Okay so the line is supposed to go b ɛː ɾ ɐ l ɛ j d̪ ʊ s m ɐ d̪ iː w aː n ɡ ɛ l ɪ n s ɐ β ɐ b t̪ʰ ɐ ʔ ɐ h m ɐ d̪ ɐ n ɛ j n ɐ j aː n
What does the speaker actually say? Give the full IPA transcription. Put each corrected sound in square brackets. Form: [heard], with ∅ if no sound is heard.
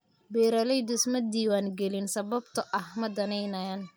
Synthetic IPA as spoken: b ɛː ɾ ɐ l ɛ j d̪ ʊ s m ɐ d̪ iː w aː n ɡ ɛ l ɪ n s ɐ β ɐ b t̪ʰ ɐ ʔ ɐ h m ɐ d̪ ɐ n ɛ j n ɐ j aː n